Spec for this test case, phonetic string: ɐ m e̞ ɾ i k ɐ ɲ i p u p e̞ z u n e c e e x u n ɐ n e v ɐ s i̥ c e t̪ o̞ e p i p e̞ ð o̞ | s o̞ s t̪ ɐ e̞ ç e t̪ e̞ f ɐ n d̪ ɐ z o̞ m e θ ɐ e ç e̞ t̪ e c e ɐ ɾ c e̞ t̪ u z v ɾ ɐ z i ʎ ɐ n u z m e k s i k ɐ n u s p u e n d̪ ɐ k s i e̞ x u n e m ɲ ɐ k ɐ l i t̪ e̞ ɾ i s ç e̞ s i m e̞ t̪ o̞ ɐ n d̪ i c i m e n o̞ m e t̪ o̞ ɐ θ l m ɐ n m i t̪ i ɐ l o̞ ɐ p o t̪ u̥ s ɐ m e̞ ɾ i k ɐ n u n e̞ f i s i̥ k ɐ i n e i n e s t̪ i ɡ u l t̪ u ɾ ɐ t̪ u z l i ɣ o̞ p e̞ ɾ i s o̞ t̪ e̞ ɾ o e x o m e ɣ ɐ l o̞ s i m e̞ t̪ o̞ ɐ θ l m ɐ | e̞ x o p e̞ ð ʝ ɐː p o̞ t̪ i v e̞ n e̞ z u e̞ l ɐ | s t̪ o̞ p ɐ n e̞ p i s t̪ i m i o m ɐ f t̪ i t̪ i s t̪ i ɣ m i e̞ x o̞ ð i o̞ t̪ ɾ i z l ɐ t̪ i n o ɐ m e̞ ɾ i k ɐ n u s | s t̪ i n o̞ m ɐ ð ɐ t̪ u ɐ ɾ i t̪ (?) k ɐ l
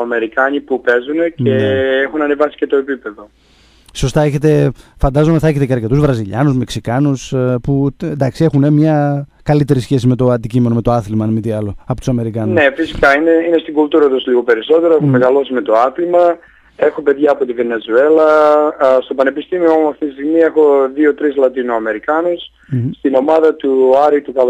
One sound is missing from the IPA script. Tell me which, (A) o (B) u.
B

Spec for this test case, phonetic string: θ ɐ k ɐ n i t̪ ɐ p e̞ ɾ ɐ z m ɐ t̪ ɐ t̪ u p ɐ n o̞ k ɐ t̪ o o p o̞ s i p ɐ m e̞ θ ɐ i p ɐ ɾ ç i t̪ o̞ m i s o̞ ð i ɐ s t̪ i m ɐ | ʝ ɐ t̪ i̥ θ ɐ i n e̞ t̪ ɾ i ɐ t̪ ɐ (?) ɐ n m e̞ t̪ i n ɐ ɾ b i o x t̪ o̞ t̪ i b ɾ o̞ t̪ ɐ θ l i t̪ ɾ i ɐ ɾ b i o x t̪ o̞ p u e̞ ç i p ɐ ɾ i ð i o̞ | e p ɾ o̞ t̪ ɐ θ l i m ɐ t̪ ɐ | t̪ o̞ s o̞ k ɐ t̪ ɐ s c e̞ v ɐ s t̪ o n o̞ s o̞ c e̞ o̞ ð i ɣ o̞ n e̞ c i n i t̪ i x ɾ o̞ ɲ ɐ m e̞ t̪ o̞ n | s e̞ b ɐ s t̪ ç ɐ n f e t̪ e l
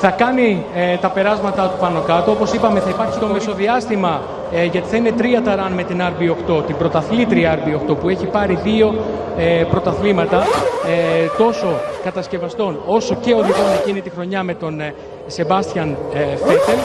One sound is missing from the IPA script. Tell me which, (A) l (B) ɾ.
B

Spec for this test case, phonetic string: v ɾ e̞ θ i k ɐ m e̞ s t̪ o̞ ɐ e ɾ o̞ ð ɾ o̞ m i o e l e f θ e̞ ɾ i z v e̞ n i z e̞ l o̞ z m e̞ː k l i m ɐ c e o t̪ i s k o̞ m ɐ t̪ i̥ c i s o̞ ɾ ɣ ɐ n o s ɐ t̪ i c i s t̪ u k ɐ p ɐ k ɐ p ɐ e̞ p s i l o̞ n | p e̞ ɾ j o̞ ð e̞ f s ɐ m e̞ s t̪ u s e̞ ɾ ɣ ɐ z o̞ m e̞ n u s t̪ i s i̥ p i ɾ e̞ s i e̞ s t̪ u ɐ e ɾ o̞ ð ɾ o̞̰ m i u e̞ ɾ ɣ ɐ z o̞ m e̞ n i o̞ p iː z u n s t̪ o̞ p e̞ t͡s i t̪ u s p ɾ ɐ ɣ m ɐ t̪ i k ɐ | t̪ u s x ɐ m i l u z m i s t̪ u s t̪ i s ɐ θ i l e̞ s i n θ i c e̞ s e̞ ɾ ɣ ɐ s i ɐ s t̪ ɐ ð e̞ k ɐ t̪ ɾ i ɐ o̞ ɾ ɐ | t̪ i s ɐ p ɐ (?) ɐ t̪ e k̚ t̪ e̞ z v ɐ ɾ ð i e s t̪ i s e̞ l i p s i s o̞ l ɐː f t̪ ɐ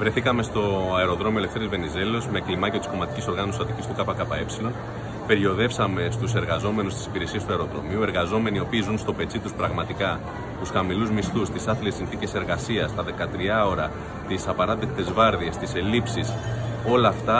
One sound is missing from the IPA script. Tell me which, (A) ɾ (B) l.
A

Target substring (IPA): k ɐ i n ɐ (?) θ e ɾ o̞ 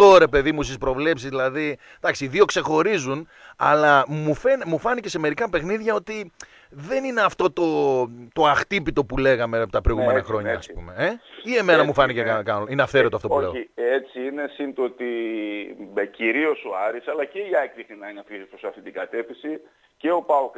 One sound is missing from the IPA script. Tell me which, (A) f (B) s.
A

